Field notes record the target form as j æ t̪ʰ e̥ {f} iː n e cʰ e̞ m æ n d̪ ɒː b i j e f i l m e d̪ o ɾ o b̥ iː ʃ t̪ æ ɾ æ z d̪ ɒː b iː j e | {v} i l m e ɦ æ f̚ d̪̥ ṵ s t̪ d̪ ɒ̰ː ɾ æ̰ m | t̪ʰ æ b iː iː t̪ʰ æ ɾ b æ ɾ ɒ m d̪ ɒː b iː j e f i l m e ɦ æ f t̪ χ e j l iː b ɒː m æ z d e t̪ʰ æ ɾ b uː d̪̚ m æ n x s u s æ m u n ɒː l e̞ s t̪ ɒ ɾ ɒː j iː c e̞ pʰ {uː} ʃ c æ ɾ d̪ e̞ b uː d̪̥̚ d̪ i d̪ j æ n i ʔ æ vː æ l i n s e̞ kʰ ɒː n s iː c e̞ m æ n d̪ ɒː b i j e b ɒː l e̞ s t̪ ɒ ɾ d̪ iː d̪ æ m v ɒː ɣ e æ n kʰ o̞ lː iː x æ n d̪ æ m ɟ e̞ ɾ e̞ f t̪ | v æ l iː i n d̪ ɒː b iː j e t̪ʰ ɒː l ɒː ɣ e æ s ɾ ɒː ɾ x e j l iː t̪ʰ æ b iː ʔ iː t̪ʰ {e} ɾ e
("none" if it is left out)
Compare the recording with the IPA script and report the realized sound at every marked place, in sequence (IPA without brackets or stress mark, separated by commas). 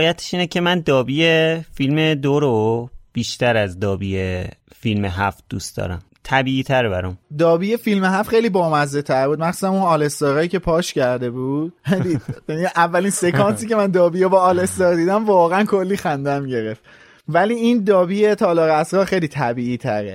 ʃ, f, ɒː, æ